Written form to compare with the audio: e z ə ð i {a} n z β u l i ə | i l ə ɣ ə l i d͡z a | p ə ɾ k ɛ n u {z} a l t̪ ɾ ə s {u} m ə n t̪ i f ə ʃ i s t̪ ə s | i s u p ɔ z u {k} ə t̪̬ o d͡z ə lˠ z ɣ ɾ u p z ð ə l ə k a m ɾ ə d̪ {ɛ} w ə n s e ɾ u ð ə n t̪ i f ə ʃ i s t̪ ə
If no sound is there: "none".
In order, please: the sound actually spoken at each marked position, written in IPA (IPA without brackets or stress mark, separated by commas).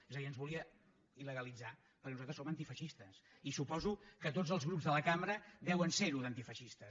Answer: ə, z, o, k, ɛ